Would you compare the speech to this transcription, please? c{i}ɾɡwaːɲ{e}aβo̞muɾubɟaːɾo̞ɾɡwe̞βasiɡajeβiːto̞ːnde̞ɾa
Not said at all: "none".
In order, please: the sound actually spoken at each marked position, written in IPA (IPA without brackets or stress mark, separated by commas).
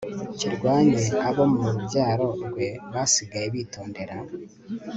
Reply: i, e